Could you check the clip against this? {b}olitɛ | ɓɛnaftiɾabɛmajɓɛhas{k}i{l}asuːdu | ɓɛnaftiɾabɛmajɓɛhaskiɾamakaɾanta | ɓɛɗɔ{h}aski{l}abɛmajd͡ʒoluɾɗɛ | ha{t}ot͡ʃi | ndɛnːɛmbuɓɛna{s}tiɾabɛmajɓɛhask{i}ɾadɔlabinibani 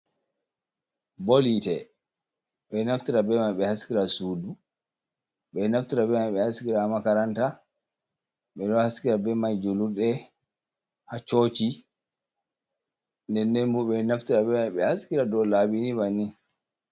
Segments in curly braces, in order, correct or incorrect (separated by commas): correct, correct, incorrect, correct, incorrect, incorrect, incorrect, correct